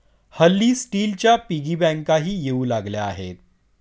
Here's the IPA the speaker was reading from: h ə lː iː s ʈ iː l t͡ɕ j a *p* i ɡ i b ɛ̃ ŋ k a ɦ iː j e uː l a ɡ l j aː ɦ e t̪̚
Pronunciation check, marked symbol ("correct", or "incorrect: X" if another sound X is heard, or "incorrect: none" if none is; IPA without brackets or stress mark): correct